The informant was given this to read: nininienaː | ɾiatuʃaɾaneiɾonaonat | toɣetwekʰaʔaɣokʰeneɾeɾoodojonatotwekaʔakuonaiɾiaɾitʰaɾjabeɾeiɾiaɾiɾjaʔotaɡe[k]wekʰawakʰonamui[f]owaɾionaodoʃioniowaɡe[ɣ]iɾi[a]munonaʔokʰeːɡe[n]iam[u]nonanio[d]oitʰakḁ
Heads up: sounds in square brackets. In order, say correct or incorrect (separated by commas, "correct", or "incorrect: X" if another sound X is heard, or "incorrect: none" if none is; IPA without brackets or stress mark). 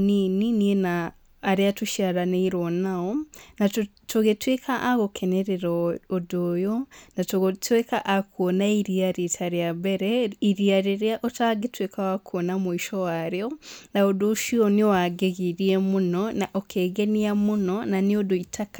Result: incorrect: t, incorrect: ʃ, correct, incorrect: e, correct, correct, correct